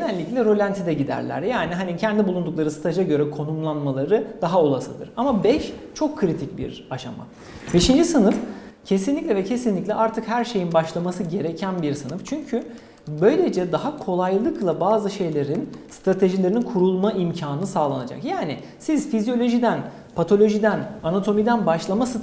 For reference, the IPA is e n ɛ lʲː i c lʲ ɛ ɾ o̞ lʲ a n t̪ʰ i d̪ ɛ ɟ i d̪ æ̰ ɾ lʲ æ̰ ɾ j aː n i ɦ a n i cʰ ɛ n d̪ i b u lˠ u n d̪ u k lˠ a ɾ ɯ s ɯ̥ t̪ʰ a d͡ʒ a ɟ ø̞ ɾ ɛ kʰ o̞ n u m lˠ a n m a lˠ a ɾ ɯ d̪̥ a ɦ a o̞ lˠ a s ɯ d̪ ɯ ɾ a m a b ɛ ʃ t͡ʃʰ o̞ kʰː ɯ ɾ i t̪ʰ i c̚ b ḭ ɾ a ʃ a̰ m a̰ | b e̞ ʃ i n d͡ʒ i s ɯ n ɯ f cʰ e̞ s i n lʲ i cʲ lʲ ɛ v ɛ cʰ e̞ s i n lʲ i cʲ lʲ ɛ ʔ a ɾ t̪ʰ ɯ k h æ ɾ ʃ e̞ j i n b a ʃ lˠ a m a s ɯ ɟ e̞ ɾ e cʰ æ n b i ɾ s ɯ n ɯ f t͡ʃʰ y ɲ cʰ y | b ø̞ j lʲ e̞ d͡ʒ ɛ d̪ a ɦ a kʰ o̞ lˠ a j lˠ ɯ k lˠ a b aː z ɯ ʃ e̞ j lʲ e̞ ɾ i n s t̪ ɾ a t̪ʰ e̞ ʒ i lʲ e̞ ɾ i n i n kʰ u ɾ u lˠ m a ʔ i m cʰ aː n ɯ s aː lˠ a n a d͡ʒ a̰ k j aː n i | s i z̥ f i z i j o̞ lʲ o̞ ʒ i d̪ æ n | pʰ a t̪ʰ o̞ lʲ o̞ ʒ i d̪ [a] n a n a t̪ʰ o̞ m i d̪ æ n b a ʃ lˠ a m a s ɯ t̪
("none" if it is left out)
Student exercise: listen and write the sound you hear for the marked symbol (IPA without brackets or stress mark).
æ